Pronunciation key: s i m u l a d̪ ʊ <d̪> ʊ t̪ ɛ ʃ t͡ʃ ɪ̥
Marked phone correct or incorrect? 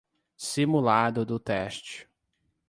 correct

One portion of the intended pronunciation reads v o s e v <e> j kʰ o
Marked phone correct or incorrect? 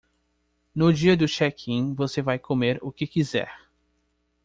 incorrect: a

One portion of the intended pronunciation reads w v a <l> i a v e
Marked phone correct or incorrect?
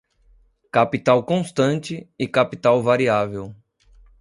incorrect: ɾ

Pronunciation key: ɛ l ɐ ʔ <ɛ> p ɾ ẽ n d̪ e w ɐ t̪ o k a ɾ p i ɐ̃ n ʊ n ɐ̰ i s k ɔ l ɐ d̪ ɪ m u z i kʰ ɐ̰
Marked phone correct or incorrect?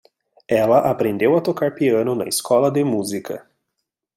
incorrect: a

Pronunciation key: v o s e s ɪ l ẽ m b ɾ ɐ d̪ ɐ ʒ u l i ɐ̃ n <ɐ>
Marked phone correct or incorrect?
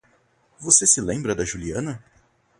correct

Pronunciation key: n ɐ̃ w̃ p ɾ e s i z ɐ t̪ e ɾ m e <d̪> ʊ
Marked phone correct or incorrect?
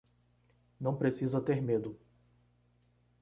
correct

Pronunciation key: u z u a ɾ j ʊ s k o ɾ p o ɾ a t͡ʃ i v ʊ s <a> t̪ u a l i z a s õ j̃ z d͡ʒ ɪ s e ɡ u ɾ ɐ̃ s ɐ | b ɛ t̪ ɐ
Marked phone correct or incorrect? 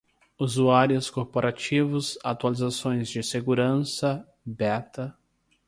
correct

